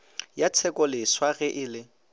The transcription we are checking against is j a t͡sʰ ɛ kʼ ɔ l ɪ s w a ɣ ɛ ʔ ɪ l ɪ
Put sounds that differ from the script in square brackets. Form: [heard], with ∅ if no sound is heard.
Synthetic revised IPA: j a t͡sʰ ɛ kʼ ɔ l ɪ s w a ɣ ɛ ʔ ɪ l ɪ